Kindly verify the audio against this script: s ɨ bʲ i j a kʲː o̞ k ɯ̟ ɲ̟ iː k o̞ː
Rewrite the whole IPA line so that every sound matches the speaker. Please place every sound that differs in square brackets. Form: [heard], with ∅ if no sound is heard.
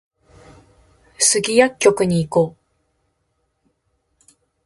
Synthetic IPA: s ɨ [ɡʲ] i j a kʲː o̞ k ɯ̟ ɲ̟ iː k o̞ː